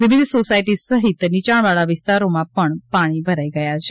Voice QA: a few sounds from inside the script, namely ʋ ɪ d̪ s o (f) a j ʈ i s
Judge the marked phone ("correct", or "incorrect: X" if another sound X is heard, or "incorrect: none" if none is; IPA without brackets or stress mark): incorrect: s